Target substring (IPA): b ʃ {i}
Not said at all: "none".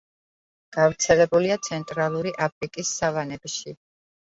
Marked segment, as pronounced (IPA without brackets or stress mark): i